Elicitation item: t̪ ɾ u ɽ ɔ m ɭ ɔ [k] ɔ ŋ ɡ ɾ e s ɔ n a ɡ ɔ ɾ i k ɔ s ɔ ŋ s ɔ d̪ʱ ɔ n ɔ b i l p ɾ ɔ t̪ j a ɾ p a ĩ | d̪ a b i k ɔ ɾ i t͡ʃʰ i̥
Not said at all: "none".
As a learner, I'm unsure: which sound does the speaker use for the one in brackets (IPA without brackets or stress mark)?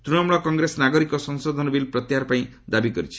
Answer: k